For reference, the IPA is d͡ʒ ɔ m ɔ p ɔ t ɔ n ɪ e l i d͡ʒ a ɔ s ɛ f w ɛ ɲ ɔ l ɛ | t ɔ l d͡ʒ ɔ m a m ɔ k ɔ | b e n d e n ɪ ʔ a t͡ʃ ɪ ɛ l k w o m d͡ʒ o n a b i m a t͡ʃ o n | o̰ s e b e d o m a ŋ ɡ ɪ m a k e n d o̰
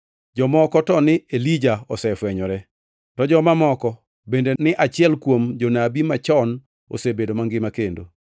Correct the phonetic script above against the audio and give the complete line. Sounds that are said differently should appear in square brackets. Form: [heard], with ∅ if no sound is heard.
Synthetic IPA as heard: d͡ʒ ɔ m ɔ [k] ɔ t ɔ n ɪ e l i d͡ʒ a ɔ s ɛ f w ɛ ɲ ɔ [ɾ] ɛ | t ɔ [∅] d͡ʒ ɔ m a m ɔ k ɔ | b e n d e n ɪ ʔ a t͡ʃ ɪ ɛ l k w o m d͡ʒ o n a b i m a t͡ʃ [ɔ] n | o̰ s e b e d o m a ŋ ɡ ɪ m a k e n d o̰

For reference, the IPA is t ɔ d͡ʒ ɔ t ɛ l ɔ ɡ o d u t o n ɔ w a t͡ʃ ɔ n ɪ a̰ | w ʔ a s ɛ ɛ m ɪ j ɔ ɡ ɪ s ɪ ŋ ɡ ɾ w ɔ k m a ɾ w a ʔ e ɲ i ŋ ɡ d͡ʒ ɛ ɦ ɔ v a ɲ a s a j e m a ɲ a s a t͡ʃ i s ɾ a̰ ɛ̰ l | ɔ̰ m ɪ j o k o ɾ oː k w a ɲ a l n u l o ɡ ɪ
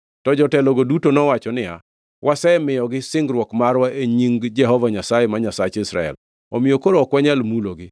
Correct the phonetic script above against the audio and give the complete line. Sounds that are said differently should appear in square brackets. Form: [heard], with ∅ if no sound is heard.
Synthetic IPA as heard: t ɔ d͡ʒ ɔ t ɛ l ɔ ɡ o d u t o n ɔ w a t͡ʃ ɔ n ɪ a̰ | w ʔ a s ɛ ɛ m ɪ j ɔ ɡ ɪ s ɪ ŋ ɡ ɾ w ɔ k m a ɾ w a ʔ e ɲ i ŋ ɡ d͡ʒ ɛ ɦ ɔ v a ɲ a s a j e m a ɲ a s a t͡ʃ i s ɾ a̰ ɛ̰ l | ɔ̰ m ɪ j o k o ɾ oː k w a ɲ a l [m] u l o ɡ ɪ

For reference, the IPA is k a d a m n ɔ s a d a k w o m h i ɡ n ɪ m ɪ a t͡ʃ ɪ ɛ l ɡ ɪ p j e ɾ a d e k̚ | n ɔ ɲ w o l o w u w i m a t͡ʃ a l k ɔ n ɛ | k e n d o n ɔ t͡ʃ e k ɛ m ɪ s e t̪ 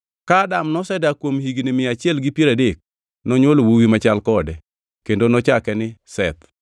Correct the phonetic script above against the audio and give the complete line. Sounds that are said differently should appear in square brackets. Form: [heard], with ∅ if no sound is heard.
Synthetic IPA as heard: k a d a m n ɔ s [ɛ] d a k w o m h i ɡ n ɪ m ɪ a t͡ʃ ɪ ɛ l ɡ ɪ p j e ɾ a d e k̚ | n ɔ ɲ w o l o w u w i m a t͡ʃ a l k ɔ [d] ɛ | k e n d o n ɔ t͡ʃ [a] k ɛ [n] ɪ s [ɛ] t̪

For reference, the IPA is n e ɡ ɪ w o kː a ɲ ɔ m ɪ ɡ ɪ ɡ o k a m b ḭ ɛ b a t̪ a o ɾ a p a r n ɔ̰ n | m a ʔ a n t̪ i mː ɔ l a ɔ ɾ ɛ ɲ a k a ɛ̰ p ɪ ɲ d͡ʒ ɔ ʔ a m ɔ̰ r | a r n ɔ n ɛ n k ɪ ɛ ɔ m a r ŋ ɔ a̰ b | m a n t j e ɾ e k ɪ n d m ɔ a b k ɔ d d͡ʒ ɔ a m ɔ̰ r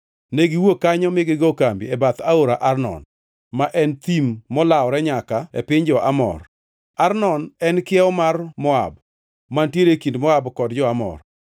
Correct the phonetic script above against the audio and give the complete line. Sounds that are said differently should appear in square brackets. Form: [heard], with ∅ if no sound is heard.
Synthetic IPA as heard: n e ɡ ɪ w o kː a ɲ ɔ m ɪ ɡ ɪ ɡ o k a m b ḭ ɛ b a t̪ a o ɾ a [ʔ] a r n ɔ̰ n | m a ʔ [ɛ] n t̪ i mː ɔ l a ɔ ɾ ɛ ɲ a k a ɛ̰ p ɪ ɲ d͡ʒ ɔ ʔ a m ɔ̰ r | a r n ɔ n ɛ n k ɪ ɛ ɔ m a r [m] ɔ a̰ b | m a n t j e ɾ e k [i] n d m ɔ a b k ɔ d d͡ʒ ɔ a m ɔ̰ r

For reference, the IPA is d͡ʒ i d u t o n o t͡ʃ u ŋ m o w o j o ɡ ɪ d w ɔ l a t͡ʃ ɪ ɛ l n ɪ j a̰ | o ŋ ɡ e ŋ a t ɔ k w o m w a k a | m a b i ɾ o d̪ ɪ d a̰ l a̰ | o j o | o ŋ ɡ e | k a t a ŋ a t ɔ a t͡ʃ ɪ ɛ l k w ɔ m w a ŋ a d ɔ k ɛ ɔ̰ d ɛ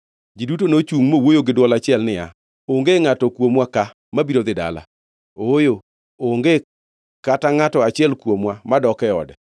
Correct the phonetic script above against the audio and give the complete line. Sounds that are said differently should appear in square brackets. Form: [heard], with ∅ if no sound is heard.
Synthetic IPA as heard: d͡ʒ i d u t o n o t͡ʃ u ŋ m o w o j o ɡ ɪ d w ɔ l a t͡ʃ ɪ ɛ l n ɪ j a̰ | o ŋ ɡ e ŋ a t ɔ k w o m w a k a | m a b i ɾ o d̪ ɪ d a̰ l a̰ | o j o | o ŋ ɡ e | k a t a ŋ a t ɔ a t͡ʃ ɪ ɛ l k w [o] m w a [m] a d ɔ k ɛ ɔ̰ d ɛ

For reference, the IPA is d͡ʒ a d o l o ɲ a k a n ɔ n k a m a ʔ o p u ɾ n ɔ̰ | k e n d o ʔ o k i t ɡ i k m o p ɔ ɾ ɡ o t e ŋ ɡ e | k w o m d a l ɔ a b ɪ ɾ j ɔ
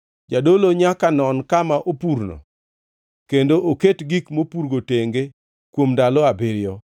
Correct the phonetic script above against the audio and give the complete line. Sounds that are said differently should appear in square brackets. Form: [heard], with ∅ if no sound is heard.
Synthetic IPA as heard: d͡ʒ a d o l o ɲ a k a n ɔ n k a m a ʔ o p u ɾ n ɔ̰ | k e n d o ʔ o k [e] t ɡ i k m o p [u] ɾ ɡ o t e ŋ ɡ e | k w o m d a l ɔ a b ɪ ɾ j ɔ

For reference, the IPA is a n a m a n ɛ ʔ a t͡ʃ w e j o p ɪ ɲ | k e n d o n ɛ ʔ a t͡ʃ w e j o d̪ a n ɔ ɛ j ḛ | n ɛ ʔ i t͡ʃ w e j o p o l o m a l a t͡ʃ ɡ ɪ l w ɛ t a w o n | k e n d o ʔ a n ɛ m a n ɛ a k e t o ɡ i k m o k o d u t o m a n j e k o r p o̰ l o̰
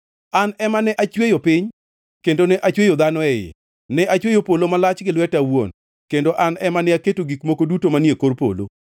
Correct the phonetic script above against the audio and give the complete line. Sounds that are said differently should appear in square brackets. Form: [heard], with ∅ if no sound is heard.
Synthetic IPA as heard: a n [ɛ] m a n ɛ ʔ a t͡ʃ w e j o p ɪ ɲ | k e n d o n ɛ ʔ a t͡ʃ w e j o d̪ a n ɔ ɛ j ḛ | n ɛ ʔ [a] t͡ʃ w e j o p o l o m a l a t͡ʃ ɡ ɪ l w ɛ t a w o n | k e n d o ʔ a n ɛ m a n ɛ a k e t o ɡ i k m o k o d u t o m a n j e k o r p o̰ l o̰

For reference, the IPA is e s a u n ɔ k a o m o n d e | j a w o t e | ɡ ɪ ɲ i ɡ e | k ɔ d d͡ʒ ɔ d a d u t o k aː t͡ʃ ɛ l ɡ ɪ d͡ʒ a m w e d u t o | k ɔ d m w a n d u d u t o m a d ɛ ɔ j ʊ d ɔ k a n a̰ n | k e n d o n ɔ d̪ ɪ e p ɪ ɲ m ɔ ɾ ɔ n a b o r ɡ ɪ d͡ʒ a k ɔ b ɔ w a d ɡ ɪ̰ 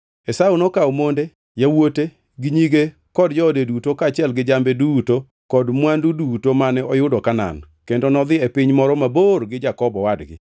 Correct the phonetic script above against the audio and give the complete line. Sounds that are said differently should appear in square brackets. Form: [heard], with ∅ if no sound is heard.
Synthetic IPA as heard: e s a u n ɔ k a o m o n d e | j a w o t e | ɡ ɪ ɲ i ɡ e | k ɔ d d͡ʒ ɔ d [e] d u t o k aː t͡ʃ ɛ l ɡ ɪ d͡ʒ a m [b] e d u t o | k ɔ d m w a n d u d u t o m a [n] ɛ ɔ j ʊ d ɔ k a n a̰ n | k e n d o n ɔ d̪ ɪ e p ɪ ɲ m ɔ ɾ ɔ [m] a b o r ɡ ɪ d͡ʒ a k ɔ b ɔ w a d ɡ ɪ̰

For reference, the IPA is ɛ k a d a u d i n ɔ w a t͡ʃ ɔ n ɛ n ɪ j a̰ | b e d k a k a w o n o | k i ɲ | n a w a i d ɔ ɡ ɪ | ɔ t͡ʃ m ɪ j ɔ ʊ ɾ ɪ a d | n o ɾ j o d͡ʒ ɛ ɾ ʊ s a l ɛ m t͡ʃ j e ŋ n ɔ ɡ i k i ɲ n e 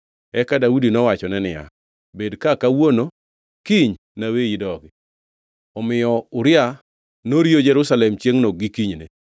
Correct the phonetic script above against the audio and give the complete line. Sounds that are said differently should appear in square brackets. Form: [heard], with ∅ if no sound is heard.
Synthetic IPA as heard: ɛ k a d a u d i n ɔ w a t͡ʃ ɔ n ɛ n ɪ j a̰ | b e d k a k a w o n o | k i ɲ | n a w [e] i d ɔ ɡ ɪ | ɔ [∅] m ɪ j ɔ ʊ ɾ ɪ a [∅] | n o ɾ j o d͡ʒ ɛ ɾ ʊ s a l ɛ m t͡ʃ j e ŋ n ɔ ɡ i k i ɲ n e

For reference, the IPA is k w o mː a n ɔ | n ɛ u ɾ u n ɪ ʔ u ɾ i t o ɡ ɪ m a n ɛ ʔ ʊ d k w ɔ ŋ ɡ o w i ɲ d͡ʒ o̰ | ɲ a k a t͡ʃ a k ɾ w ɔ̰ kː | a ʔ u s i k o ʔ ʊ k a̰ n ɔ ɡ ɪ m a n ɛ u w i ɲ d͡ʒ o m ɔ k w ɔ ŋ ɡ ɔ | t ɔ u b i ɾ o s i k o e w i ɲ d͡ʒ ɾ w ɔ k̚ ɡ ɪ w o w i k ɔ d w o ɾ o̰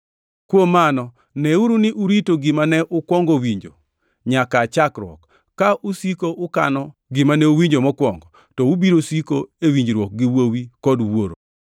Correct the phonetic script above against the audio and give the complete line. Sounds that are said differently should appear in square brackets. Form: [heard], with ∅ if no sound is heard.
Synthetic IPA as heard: k w o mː a n ɔ | n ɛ u ɾ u n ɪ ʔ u ɾ i t o ɡ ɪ m a n ɛ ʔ ʊ [∅] k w ɔ ŋ ɡ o w i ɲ d͡ʒ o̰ | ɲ a k a t͡ʃ a k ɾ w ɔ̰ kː | a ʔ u s i k o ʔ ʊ k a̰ n ɔ ɡ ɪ m a n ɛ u w i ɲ d͡ʒ o m ɔ k w ɔ ŋ ɡ ɔ | t ɔ u b i ɾ o s i k o e w i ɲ d͡ʒ ɾ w ɔ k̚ ɡ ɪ w o w i k ɔ d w o ɾ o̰

